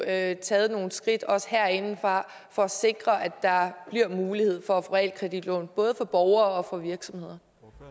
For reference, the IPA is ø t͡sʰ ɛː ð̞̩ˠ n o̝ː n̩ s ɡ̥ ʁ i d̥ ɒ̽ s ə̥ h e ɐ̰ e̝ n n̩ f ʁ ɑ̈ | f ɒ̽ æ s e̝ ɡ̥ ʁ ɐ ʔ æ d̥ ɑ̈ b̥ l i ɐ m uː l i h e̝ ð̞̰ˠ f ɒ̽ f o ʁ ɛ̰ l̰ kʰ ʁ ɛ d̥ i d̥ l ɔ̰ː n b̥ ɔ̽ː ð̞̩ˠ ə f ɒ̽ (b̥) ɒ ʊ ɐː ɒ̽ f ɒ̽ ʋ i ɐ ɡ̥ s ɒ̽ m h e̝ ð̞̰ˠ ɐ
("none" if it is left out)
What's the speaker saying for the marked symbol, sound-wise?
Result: b̥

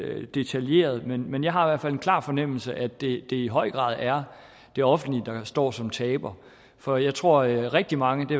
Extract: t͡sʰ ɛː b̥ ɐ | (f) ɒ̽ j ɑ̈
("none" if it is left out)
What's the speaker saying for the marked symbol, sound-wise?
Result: f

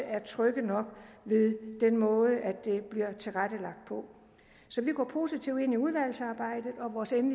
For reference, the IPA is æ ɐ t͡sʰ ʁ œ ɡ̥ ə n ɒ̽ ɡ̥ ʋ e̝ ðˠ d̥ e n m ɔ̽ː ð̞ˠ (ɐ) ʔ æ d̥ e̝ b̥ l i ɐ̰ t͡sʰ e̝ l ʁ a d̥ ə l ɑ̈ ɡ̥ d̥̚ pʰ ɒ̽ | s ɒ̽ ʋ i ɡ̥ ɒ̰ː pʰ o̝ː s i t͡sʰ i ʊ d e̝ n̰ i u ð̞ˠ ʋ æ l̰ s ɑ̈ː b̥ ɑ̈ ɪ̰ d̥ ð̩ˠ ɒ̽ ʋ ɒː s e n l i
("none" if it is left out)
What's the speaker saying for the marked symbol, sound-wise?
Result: ə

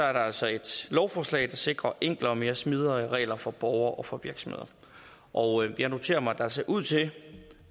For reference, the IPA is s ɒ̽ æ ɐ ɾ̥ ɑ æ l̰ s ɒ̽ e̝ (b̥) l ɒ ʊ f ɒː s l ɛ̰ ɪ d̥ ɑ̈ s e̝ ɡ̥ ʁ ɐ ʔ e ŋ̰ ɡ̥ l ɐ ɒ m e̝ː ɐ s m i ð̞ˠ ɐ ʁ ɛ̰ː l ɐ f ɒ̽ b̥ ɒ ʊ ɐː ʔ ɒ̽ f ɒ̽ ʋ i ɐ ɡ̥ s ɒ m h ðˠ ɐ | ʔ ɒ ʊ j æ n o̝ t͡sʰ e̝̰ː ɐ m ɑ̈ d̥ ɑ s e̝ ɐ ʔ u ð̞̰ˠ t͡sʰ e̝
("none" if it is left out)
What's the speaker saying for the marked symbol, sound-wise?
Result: d̥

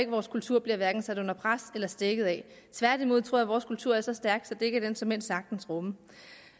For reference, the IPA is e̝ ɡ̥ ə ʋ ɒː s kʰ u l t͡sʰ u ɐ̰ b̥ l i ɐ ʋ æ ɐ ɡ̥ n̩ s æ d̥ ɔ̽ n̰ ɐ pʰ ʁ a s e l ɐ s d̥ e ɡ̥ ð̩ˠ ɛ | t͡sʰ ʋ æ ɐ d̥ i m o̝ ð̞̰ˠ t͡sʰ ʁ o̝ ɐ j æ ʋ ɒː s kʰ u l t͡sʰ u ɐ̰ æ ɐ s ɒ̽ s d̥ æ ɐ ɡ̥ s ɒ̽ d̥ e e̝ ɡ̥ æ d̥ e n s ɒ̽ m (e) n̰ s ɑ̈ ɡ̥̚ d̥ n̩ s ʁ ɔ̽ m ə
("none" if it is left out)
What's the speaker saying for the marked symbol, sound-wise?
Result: e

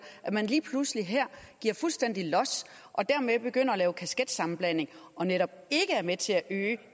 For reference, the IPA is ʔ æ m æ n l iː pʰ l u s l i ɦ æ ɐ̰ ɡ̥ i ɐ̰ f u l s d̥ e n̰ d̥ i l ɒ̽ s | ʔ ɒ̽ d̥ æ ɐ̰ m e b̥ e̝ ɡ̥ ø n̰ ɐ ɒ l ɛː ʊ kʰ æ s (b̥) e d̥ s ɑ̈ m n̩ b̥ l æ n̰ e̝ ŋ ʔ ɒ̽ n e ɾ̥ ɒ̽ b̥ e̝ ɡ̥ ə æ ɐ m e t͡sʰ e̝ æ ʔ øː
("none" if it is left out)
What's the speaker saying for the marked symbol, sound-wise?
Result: ɡ̥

